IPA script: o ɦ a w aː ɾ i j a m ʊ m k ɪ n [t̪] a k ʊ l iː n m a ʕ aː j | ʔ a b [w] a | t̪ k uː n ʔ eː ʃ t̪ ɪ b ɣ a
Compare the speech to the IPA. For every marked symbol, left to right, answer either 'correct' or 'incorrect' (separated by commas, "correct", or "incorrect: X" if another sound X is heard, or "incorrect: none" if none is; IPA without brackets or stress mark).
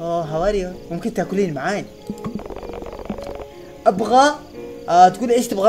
correct, incorrect: ɣ